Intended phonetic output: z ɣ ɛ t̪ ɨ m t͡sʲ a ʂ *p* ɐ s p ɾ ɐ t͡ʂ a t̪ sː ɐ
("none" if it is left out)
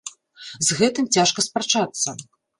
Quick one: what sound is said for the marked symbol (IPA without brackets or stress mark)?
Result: k